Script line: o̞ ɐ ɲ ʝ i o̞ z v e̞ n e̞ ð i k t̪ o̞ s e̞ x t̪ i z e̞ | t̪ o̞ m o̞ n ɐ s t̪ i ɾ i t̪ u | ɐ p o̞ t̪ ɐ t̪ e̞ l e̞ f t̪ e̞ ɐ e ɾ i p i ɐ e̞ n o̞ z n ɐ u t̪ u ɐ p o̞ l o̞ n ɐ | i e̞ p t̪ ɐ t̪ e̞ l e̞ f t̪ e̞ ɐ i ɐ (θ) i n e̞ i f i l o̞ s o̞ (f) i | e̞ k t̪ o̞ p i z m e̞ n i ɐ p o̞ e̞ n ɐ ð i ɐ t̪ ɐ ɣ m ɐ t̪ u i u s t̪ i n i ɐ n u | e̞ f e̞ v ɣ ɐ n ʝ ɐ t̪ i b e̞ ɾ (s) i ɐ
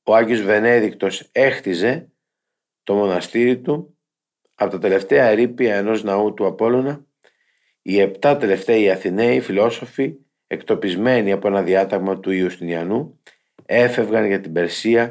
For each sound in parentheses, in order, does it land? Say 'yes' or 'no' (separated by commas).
yes, yes, yes